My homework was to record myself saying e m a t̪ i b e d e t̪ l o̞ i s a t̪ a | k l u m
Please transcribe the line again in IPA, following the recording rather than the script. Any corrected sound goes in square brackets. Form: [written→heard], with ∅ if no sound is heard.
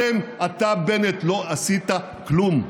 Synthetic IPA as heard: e m a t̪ [i→a] b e [d→n] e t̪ l o̞ [i→a] s [a→i] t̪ a | k l u m